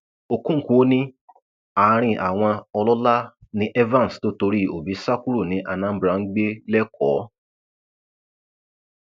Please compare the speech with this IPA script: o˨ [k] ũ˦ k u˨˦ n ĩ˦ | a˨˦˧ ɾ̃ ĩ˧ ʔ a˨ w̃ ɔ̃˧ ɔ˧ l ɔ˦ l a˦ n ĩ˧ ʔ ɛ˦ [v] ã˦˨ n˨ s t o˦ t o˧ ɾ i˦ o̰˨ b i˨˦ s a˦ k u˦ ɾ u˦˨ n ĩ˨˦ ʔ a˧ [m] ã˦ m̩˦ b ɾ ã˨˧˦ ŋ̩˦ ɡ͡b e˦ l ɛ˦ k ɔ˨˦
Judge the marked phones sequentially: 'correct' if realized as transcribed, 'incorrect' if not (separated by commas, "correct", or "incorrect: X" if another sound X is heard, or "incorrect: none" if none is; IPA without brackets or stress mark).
correct, correct, incorrect: n